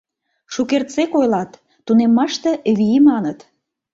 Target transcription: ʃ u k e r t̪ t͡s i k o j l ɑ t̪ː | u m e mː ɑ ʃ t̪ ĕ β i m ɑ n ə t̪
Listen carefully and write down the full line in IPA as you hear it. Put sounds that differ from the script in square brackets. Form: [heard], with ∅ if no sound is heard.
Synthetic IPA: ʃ u k e r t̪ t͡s [e] k o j l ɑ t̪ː | u [n] e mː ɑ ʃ t̪ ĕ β i m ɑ n ə t̪